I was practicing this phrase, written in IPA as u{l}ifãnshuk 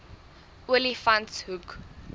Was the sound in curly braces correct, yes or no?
yes